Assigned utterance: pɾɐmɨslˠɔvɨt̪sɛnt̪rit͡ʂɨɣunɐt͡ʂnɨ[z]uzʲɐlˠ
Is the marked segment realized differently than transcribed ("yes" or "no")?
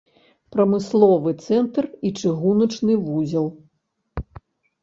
yes